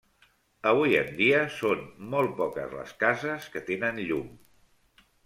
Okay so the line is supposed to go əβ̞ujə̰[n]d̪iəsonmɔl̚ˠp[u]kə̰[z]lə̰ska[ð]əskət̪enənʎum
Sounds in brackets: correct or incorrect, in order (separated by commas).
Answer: correct, incorrect, correct, incorrect